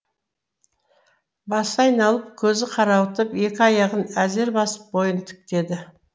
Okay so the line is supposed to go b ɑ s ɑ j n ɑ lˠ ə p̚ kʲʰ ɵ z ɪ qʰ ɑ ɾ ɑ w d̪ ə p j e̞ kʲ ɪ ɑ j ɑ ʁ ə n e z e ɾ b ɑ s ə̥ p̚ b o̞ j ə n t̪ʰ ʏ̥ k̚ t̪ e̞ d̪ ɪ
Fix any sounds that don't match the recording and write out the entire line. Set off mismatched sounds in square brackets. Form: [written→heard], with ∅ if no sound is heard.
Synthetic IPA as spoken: b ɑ s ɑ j n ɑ lˠ ə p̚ kʲʰ ɵ z ɪ qʰ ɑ ɾ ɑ w [d̪→t̪] ə p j e̞ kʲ ɪ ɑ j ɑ ʁ ə n [e→æ] z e ɾ b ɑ s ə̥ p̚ b o̞ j ə n t̪ʰ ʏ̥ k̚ t̪ e̞ d̪ ɪ